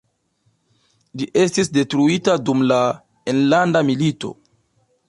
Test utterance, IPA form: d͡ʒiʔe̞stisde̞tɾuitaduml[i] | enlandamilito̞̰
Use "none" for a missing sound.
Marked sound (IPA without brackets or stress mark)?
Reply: a